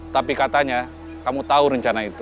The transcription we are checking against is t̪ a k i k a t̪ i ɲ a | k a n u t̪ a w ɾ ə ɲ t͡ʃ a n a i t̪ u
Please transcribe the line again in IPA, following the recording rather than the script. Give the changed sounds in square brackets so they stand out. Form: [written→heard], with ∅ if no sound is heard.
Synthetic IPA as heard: t̪ a [k→p] i k a t̪ [i→a] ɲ a | k a [n→m] u t̪ a [w→u] ɾ ə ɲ t͡ʃ a n a i t̪ u